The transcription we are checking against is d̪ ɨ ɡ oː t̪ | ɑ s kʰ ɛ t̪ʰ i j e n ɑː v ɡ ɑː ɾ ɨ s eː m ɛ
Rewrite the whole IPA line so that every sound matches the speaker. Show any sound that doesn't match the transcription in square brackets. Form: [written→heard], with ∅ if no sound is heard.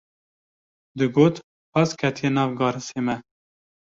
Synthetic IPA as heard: d̪ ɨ ɡ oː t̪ | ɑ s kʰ ɛ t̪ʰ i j e n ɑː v ɡ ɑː ɾ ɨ s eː m ɛ

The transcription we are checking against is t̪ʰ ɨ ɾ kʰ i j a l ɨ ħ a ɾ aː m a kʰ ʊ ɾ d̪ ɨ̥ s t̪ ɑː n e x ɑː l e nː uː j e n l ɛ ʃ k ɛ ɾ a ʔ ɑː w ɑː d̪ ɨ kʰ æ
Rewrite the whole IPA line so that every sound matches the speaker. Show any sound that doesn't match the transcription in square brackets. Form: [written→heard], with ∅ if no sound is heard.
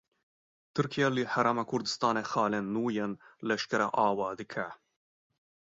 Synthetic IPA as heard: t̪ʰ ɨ ɾ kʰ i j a l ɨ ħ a ɾ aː m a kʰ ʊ ɾ d̪ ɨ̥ s t̪ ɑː n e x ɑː l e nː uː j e n l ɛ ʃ k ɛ ɾ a ʔ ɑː w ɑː d̪ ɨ kʰ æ

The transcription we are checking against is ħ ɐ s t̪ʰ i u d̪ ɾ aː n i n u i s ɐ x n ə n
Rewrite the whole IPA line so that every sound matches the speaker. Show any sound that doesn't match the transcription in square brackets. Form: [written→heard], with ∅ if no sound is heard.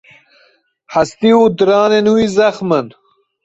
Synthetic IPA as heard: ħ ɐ s [t̪ʰ→t̪] i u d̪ ɾ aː n [i→e] n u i [s→z] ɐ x [n→m] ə n

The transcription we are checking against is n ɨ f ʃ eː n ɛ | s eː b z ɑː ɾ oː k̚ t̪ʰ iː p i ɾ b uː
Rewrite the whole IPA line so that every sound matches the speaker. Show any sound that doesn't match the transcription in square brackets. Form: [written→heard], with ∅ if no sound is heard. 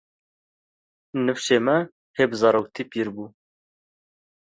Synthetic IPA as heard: n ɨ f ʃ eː [n→m] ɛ | [s→h] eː b z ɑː ɾ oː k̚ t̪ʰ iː p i ɾ b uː

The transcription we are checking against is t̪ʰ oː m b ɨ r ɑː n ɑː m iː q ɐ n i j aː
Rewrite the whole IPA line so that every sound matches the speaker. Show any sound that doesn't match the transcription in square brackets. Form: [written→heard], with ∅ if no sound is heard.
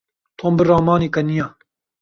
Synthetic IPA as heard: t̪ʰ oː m b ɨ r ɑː [n→m] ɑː [m→n] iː [q→k] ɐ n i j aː

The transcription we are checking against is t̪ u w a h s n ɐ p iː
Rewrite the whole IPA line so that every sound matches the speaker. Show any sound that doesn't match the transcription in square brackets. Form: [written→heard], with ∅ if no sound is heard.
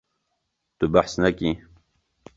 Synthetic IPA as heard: t̪ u [w→b] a [h→ħ] s n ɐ [p→k] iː

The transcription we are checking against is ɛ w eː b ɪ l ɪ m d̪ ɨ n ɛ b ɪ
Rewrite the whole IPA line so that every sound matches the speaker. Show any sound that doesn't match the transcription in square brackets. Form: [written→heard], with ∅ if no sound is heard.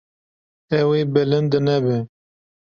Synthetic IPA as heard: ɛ w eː b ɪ l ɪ [m→n] d̪ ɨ n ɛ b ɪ

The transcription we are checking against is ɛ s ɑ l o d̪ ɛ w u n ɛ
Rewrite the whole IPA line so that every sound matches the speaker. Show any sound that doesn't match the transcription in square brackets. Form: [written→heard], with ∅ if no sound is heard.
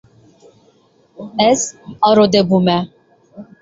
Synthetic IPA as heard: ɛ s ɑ [l→ɾ] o d̪ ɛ [w→b] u [n→m] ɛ

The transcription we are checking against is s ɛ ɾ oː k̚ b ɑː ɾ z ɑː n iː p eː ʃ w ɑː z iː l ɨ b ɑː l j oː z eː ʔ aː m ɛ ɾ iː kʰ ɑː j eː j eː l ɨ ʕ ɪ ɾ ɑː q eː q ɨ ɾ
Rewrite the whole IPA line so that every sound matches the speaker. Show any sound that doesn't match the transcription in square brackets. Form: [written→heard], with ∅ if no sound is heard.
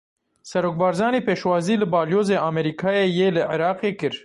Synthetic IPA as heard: s ɛ ɾ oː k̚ b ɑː ɾ z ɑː n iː p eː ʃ w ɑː z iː l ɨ b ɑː l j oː z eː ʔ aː m ɛ ɾ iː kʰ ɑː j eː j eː l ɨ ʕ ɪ ɾ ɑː q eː [q→k] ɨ ɾ

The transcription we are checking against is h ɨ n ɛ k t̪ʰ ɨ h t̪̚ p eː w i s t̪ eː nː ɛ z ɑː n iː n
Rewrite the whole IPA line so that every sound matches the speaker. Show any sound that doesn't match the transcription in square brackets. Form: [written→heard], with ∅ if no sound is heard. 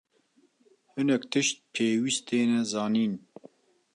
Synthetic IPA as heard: h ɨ n ɛ k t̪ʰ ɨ [h→ʃ] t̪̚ [p→pʰ] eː w i s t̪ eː [nː→n] ɛ z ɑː n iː n

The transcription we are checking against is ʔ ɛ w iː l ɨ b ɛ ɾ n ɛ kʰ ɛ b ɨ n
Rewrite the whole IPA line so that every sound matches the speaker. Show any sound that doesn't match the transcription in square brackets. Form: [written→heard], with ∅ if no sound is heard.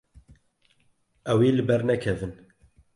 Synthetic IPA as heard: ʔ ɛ w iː l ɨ b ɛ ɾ n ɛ kʰ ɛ [b→v] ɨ n

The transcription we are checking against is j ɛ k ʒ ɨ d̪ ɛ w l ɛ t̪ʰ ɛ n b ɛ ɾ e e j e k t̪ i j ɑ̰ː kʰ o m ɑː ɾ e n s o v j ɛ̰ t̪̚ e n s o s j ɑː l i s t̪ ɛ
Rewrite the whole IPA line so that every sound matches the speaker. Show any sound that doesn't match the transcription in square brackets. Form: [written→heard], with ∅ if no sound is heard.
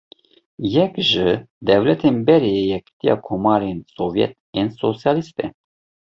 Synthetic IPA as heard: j ɛ k ʒ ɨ d̪ ɛ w l ɛ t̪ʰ [ɛ→e] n b ɛ ɾ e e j [e→ɛ] k t̪ i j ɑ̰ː kʰ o m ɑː ɾ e n s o v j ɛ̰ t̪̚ e n s o s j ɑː l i s t̪ ɛ

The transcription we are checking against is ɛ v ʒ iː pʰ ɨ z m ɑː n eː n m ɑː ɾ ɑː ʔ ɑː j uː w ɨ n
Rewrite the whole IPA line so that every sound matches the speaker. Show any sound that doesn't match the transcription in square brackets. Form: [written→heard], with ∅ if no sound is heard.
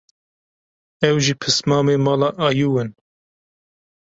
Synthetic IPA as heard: ɛ [v→w] ʒ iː pʰ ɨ [z→s] m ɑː [n→m] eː [n→∅] m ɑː [ɾ→l] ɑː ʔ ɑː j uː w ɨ n

